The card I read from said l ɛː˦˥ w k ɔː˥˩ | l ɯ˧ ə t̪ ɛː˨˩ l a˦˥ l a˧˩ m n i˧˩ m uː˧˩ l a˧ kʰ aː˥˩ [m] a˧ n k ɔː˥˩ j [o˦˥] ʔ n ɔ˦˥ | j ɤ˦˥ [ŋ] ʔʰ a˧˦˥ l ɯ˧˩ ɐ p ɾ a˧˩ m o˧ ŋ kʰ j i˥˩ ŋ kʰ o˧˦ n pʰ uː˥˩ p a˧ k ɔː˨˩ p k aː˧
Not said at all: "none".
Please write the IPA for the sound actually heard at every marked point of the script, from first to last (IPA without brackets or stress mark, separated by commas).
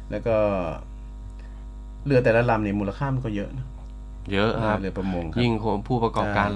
m, ɤ˦˥, none